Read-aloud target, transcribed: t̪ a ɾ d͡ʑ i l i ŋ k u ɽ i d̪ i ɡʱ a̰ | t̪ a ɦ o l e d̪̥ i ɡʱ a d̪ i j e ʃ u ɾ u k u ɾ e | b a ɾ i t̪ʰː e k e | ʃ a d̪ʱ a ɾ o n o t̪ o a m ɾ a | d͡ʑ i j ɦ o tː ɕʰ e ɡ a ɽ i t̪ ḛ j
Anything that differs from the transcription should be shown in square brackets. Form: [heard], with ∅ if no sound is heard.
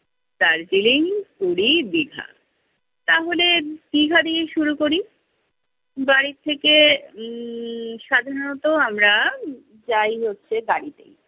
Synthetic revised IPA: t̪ a ɾ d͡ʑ i l i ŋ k u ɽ i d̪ i ɡʱ a̰ | t̪ a ɦ o l e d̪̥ i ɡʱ a d̪ i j e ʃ u ɾ u k [o] ɾ [i] | b a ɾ i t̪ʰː e k e | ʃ a d̪ʱ a ɾ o n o t̪ o a m ɾ a | d͡ʑ [a] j ɦ o tː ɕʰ e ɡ a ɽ i t̪ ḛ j

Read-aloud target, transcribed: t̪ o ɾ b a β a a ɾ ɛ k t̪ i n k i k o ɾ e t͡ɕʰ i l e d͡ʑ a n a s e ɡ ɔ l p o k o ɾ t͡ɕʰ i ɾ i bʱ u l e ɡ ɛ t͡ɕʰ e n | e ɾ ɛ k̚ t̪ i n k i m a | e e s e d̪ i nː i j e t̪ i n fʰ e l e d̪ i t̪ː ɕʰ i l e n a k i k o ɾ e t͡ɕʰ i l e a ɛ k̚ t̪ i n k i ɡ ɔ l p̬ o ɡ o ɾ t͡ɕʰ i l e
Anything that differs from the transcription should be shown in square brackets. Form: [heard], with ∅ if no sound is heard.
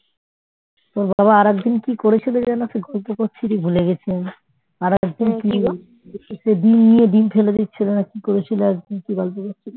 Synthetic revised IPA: t̪ o ɾ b a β a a ɾ ɛ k [d̪] i n k i k o ɾ e t͡ɕʰ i l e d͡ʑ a n a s e ɡ ɔ l p o k o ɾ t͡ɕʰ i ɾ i bʱ u l e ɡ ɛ t͡ɕʰ e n | [a] ɾ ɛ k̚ [d̪] i n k i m a | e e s e d̪ i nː i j e [d̪] i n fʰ e l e d̪ i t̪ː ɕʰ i l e n a k i k o ɾ e t͡ɕʰ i l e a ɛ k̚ [d̪] i n k i ɡ ɔ l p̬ o [k] o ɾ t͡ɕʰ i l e

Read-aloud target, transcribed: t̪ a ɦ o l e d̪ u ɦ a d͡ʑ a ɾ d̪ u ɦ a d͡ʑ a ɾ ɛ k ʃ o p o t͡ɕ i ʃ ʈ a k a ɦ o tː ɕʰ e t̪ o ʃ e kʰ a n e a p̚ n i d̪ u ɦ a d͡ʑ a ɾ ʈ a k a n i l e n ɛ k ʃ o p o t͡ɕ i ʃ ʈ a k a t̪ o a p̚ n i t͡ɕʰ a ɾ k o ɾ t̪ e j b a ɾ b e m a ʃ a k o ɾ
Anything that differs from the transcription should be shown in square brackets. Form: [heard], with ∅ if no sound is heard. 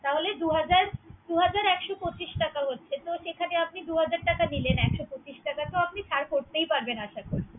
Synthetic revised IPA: t̪ a ɦ o l e d̪ u ɦ a d͡ʑ a ɾ d̪ u ɦ a d͡ʑ a ɾ ɛ k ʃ o p o t͡ɕ i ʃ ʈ a k a ɦ o tː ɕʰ e t̪ o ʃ e kʰ a n e a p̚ n i d̪ u ɦ a d͡ʑ a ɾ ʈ a k a n i l e n ɛ k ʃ o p o t͡ɕ i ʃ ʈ a k a t̪ o a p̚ n i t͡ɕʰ a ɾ k o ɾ t̪ e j [p] a ɾ b e [n] a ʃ a k o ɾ

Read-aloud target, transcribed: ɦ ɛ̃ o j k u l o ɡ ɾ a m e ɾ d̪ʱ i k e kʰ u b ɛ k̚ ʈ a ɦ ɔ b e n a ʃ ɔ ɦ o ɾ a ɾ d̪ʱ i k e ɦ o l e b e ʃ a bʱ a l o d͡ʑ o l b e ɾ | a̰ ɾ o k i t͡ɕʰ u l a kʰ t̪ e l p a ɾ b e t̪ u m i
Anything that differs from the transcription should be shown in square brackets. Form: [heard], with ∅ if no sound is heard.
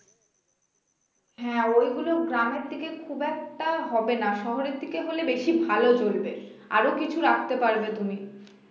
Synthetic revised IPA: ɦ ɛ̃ o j [ɡ] u l o ɡ ɾ a m e ɾ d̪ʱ i k e kʰ u b ɛ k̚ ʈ a ɦ ɔ b e n a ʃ ɔ ɦ o ɾ [e] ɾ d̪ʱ i k e ɦ o l e b e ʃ [i] bʱ a l o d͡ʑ o l b e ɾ | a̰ ɾ o k i t͡ɕʰ u [ɾ] a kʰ t̪ e [∅] p a ɾ b e t̪ u m i

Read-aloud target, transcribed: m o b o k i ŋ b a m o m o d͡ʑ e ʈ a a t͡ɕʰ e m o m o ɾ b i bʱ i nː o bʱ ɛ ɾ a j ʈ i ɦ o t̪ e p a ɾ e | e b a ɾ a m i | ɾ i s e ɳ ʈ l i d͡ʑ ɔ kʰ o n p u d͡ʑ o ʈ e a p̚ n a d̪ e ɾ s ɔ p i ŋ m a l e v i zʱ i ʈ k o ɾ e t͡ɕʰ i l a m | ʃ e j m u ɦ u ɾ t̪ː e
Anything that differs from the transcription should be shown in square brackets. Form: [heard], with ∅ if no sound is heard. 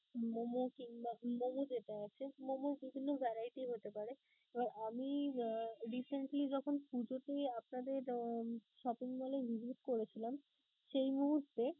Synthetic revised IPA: m o [m] o k i ŋ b a m o m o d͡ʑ e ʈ a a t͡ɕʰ e m o m o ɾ b i bʱ i nː o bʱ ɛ ɾ a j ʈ i ɦ o t̪ e p a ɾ e | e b a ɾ a m i | ɾ i s e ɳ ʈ l i d͡ʑ ɔ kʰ o n p u d͡ʑ o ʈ e a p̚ n a d̪ e ɾ [ʃ] ɔ p i ŋ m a l e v i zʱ i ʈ k o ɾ e t͡ɕʰ i l a m | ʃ e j m u ɦ u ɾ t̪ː e

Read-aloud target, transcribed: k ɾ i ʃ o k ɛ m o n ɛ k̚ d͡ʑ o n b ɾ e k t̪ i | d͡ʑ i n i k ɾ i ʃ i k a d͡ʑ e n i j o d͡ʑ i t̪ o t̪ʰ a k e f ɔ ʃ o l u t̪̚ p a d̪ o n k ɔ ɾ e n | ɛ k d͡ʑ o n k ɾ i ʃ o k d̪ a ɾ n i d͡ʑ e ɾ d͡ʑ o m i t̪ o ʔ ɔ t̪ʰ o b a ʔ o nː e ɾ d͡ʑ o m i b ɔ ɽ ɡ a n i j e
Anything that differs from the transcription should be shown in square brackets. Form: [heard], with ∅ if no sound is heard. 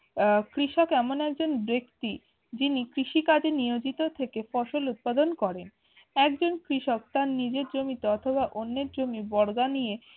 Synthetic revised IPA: k ɾ i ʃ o k ɛ m o n ɛ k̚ d͡ʑ o n b ɾ e k t̪ i | d͡ʑ i n i k ɾ i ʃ i k a d͡ʑ e n i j o d͡ʑ i t̪ o t̪ʰ [e] k e f ɔ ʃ o l u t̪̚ p a d̪ o n k ɔ ɾ e n | ɛ k d͡ʑ o n k ɾ i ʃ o k [t̪] a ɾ n i d͡ʑ e ɾ d͡ʑ o m i t̪ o [∅] ɔ t̪ʰ o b a ʔ o nː e ɾ d͡ʑ o m i b ɔ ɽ ɡ a n i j e

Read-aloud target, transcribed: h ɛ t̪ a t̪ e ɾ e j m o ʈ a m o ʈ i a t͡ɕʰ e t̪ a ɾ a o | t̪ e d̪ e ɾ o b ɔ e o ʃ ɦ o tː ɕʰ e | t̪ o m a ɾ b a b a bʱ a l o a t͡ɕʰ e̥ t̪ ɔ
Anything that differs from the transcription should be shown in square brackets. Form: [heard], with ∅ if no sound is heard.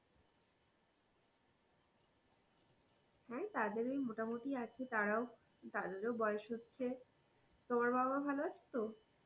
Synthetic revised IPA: h ɛ t̪ a [d̪] e ɾ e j m o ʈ a m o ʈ i a t͡ɕʰ e t̪ a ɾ a o | t̪ [a] d̪ e ɾ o b ɔ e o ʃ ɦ o tː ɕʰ e | t̪ o m a ɾ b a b a bʱ a l o a t͡ɕʰ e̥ t̪ [o]

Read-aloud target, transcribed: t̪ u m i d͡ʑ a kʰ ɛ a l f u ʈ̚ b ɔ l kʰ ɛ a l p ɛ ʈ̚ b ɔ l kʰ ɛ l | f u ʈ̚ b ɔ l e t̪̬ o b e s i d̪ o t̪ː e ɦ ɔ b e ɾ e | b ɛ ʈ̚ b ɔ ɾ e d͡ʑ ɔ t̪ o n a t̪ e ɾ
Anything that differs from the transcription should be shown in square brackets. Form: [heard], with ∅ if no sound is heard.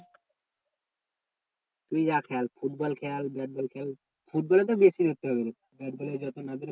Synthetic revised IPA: t̪ u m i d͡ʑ a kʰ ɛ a l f u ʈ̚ b ɔ l kʰ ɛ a l [b] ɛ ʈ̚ b ɔ l kʰ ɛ l | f u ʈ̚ b ɔ l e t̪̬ o b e s i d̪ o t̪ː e ɦ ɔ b e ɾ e | b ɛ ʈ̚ b ɔ [l] e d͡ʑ ɔ t̪ o n a [d̪] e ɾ

